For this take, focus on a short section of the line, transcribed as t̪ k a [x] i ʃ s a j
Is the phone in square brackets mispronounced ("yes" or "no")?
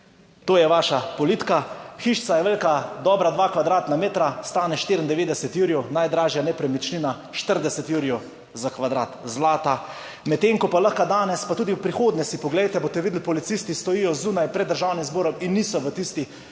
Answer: no